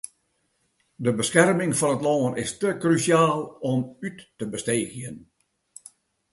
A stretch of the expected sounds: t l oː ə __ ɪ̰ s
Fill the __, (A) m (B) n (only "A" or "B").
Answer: B